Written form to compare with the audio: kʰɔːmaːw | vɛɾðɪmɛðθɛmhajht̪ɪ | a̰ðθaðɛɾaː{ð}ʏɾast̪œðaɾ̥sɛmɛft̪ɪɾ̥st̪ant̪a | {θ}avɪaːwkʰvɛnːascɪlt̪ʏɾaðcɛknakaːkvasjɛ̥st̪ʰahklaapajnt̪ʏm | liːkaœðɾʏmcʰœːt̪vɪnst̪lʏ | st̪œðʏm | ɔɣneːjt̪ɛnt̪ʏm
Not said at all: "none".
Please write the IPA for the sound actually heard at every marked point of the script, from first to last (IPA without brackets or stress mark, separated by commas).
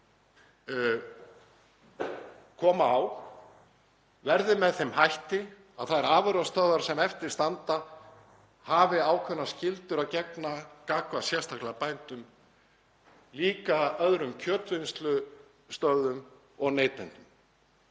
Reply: v, h